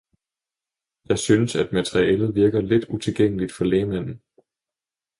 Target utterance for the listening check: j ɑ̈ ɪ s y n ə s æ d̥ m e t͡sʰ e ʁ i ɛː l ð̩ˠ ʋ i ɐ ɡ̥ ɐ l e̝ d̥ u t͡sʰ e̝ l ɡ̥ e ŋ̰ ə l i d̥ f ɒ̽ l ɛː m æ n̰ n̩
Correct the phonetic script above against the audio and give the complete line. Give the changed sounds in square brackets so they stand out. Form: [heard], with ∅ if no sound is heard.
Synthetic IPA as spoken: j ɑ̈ ɪ s y n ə s æ d̥ m [æ] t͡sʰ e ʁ i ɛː l ð̩ˠ ʋ i ɐ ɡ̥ ɐ l e̝ d̥ u t͡sʰ e̝ l ɡ̥ e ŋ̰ ə l i d̥ f ɒ̽ l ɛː m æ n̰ n̩